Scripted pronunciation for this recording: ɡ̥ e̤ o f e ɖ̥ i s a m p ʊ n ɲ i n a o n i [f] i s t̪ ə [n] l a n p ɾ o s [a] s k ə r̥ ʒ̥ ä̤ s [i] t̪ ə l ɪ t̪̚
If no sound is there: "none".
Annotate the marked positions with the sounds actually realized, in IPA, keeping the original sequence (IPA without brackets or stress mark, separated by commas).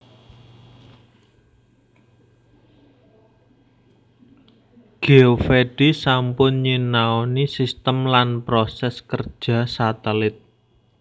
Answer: s, m, ɛ, a